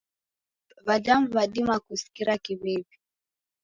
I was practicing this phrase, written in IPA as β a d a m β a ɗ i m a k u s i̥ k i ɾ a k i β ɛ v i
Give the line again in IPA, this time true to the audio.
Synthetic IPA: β a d a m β a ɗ i m a k u s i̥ k i ɾ a k i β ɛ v i